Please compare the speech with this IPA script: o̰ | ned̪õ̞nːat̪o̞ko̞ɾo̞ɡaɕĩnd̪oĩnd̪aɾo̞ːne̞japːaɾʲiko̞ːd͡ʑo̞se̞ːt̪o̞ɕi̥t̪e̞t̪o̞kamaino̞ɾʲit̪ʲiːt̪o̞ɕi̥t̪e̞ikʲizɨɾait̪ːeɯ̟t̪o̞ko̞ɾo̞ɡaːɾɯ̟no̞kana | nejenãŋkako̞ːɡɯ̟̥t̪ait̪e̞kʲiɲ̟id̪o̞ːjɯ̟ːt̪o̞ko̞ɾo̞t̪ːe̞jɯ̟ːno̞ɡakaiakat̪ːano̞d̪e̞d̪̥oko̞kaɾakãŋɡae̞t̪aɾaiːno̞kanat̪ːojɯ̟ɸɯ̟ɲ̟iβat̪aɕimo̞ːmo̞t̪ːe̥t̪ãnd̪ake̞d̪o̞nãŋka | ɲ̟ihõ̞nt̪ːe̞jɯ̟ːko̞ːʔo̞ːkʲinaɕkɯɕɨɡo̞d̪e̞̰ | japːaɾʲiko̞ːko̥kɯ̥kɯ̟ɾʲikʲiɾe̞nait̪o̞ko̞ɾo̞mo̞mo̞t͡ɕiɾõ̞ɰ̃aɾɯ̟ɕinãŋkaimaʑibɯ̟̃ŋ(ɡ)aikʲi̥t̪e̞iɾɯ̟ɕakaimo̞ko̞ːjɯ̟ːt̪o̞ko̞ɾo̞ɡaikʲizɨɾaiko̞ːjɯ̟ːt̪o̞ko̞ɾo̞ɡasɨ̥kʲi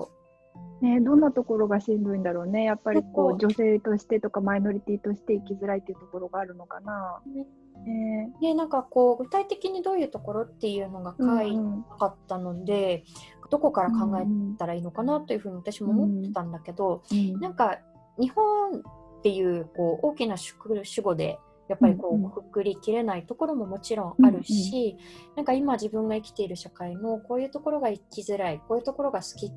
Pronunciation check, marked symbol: correct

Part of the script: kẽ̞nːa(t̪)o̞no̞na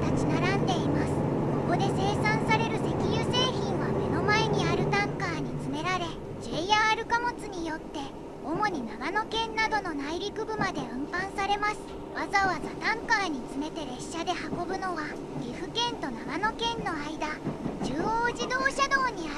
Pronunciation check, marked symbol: incorrect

